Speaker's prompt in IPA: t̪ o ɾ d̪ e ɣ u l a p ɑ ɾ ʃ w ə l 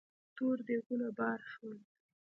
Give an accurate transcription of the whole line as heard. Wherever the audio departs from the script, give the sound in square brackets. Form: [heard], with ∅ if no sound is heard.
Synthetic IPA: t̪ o ɾ d̪ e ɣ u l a [b] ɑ ɾ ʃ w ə l

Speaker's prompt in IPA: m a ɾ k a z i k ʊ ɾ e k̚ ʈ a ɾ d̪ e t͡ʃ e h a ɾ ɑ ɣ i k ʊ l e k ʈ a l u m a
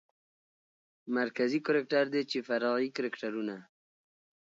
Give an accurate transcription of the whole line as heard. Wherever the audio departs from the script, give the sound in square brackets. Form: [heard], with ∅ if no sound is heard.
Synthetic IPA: m a ɾ k a z i k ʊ ɾ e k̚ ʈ a ɾ d̪ e t͡ʃ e [f] a ɾ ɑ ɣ i k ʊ [ɾ] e k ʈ a [ɾ] u [n] a

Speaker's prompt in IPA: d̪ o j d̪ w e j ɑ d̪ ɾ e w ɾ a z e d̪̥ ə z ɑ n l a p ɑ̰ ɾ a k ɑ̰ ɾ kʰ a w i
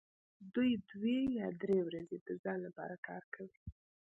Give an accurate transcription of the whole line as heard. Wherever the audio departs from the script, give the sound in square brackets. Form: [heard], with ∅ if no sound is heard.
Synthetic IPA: d̪ [u] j d̪ w e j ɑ d̪ ɾ e w ɾ a z e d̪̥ ə z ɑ n l a p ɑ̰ ɾ a k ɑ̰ ɾ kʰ a w i

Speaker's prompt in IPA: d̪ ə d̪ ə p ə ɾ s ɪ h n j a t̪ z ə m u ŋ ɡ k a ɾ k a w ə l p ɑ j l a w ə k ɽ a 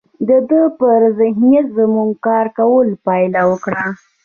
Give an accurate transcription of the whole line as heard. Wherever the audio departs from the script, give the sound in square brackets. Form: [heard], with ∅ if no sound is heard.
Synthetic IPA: d̪ ə d̪ ə p ə ɾ [z] ɪ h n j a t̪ z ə m u ŋ ɡ k [ɑ] ɾ k a w ə l p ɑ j l a w ə k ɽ a

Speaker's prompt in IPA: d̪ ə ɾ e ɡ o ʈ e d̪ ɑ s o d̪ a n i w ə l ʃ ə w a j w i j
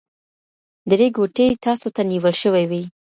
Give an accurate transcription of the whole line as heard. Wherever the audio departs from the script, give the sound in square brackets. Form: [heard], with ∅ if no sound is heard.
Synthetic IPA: d̪ ə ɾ e ɡ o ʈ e [t̪] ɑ s o [t̪] a n i w ə l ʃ ə w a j w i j

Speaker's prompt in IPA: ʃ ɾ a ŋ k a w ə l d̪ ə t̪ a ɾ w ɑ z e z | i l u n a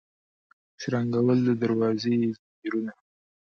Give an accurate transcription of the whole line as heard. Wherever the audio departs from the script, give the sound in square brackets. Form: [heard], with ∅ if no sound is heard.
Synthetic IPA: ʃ ɾ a ŋ [ɡ] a w ə l d̪ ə [d̪] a ɾ w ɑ z e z | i [ɾ] u n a

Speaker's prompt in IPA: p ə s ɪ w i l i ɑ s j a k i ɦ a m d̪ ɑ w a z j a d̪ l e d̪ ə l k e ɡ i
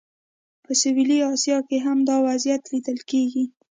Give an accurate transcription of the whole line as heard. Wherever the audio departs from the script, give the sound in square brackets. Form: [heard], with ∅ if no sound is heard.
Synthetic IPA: p ə s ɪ w i l i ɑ s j [ɑ] k [e] ɦ a m d̪ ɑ w a z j a [t̪] l [i] d̪ ə l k e ɡ i

